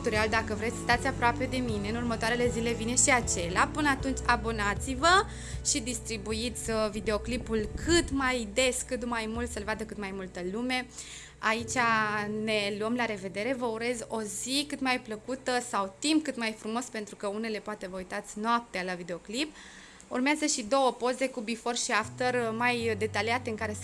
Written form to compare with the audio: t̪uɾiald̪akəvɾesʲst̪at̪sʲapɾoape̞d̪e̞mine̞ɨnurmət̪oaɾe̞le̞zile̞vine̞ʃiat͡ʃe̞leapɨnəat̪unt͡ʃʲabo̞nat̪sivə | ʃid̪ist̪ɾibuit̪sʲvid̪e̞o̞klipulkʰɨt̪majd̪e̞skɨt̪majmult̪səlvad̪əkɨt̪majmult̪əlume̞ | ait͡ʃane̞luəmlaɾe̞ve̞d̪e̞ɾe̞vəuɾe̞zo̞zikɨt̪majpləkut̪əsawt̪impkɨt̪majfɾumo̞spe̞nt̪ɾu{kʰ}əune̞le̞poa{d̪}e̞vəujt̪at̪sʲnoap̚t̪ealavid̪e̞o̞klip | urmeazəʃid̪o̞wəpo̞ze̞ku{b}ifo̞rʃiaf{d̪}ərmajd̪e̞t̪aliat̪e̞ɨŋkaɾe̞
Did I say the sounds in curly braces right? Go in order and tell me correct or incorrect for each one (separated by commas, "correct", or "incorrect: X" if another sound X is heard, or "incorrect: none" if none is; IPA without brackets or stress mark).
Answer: incorrect: k, incorrect: t̪, correct, incorrect: t̪